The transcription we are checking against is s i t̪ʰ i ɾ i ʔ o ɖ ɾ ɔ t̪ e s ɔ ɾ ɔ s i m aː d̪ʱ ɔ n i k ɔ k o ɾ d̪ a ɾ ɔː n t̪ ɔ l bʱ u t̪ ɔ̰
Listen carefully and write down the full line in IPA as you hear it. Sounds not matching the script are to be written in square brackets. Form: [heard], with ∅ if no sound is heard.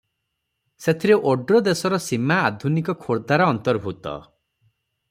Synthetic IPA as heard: s [e] t̪ʰ i ɾ [e] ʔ o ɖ ɾ ɔ [d̪] e s ɔ ɾ ɔ s i m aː d̪ʱ [u] n i k ɔ [kʰ] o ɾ d̪ a ɾ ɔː n t̪ ɔ [ɾ] bʱ u t̪ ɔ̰